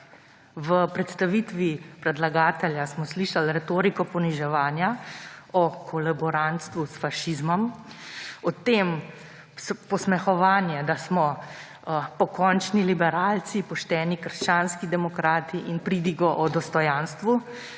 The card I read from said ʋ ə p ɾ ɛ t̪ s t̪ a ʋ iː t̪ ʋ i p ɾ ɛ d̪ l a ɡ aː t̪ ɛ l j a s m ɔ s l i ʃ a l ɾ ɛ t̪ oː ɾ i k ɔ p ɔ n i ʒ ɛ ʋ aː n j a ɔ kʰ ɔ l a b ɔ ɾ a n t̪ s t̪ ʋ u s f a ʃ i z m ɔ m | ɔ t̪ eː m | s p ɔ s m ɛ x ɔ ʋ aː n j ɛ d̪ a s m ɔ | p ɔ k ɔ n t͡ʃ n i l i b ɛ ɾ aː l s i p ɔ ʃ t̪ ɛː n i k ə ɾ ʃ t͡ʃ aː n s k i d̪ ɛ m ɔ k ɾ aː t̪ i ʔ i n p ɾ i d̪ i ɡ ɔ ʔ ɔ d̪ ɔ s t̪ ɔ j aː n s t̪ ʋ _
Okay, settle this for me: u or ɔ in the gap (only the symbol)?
u